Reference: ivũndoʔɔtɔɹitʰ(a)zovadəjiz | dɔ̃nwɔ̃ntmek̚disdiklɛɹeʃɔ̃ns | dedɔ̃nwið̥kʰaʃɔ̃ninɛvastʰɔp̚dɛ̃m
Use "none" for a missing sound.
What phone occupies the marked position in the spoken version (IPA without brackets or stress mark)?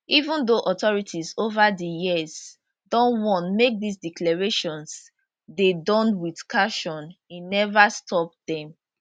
i